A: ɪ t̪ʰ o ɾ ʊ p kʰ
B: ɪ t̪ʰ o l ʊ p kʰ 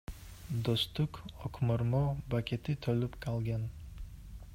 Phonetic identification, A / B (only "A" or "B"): B